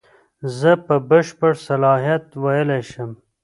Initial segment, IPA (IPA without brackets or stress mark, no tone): z